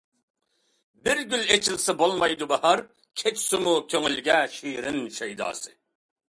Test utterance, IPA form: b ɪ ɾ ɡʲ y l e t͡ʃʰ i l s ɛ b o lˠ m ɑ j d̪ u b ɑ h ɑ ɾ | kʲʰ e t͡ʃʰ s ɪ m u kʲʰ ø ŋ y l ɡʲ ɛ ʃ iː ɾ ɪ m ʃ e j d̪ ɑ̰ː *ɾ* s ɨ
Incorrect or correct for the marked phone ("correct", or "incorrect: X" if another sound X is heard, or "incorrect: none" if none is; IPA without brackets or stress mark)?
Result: incorrect: none